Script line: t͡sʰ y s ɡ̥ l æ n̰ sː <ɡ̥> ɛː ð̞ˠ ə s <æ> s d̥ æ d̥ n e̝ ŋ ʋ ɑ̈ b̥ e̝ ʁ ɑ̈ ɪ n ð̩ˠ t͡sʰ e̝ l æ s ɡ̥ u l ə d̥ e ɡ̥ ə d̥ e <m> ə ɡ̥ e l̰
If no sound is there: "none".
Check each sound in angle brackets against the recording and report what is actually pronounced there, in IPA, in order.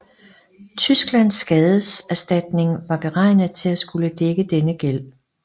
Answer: ɡ̥, æ, n

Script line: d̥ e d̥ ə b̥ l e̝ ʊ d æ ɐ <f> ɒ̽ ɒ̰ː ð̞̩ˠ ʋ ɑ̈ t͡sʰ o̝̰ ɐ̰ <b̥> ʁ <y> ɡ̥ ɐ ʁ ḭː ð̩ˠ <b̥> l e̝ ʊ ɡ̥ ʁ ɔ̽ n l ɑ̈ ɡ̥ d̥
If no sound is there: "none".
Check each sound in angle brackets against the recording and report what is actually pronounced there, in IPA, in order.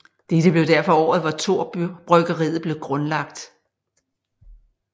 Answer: f, b̥, œ, b̥

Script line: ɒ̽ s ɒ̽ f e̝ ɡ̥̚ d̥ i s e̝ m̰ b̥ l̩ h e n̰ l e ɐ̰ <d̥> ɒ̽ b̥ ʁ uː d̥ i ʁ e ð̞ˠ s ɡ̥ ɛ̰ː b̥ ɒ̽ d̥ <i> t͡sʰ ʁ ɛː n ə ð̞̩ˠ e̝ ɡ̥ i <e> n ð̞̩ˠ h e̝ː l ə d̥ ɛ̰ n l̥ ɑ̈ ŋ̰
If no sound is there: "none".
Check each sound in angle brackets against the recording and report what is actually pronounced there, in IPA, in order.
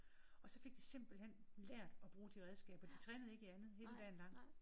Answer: d̥, i, æ

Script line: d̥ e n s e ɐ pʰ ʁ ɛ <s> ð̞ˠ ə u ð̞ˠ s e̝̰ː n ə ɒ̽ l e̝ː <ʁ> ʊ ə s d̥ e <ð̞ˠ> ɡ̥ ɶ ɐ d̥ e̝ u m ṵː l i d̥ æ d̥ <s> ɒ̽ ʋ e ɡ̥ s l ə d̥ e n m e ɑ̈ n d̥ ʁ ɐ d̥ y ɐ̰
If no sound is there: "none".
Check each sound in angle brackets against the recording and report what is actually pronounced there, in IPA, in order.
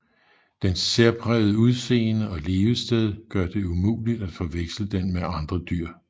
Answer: none, none, ð̞ˠ, f

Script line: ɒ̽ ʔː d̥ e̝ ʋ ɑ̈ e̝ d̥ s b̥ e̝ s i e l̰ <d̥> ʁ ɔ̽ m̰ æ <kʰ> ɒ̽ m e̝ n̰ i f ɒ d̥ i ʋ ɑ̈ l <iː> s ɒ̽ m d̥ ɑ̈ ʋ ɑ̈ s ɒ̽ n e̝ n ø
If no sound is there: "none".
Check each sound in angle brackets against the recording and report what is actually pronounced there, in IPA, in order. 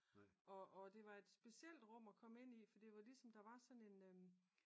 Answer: d̥, kʰ, i

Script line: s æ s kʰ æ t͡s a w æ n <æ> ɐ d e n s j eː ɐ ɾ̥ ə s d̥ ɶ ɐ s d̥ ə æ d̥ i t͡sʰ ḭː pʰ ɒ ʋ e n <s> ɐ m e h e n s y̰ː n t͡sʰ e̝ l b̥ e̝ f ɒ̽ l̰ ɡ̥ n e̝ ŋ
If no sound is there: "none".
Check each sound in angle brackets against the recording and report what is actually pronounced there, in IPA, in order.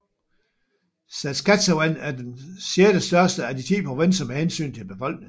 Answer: æ, s

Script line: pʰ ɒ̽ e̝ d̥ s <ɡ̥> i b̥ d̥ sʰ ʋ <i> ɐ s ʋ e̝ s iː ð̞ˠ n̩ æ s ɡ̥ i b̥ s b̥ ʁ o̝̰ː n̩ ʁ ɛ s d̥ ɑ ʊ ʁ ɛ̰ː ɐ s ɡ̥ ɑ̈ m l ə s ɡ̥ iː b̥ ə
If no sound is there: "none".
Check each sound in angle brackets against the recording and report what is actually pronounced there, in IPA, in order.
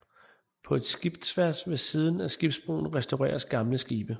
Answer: ɡ̥, æ

